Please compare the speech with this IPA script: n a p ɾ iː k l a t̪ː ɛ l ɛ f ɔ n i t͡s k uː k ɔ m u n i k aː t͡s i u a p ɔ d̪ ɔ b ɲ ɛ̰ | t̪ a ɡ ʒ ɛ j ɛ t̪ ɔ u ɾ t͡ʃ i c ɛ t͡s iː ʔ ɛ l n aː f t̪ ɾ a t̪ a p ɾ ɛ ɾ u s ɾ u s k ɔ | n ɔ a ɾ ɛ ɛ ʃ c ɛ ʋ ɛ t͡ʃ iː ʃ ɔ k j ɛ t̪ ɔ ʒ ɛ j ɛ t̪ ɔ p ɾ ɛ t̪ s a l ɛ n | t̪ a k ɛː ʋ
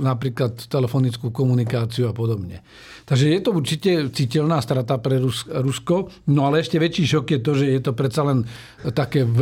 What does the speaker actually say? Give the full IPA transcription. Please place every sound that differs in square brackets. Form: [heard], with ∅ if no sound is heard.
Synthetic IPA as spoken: n a p ɾ iː k l a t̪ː ɛ l ɛ f ɔ n i t͡s k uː k ɔ m u n i k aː t͡s i u a p ɔ d̪ ɔ b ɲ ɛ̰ | t̪ a ɡ ʒ ɛ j ɛ t̪ ɔ u ɾ t͡ʃ i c ɛ t͡s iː [c] ɛ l n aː [s] t̪ ɾ a t̪ a p ɾ ɛ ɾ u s ɾ u s k ɔ | n ɔ a [l] ɛ ɛ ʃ c ɛ ʋ ɛ t͡ʃ iː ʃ ɔ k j ɛ t̪ ɔ ʒ ɛ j ɛ t̪ ɔ p ɾ ɛ t̪ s a l ɛ n | t̪ a k ɛː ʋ